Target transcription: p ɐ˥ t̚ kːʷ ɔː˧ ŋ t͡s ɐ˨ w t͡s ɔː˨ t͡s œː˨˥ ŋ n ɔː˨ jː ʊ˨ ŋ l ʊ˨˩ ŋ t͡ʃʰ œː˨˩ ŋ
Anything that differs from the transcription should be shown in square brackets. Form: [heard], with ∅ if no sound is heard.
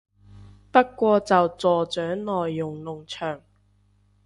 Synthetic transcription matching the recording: p ɐ˥ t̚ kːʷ ɔː˧ [∅] t͡s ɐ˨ w t͡s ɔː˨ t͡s œː˨˥ ŋ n ɔː˨ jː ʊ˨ ŋ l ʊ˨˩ ŋ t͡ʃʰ œː˨˩ ŋ